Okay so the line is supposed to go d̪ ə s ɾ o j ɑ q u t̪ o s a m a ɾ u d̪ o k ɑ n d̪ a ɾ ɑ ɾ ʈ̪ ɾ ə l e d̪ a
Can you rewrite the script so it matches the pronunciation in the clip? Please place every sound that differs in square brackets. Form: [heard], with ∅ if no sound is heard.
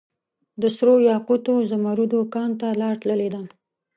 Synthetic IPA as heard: d̪ ə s ɾ o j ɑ q u t̪ o [z] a m a ɾ u d̪ o k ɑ n [t̪] a [l] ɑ ɾ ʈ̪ [l] ə l e d̪ a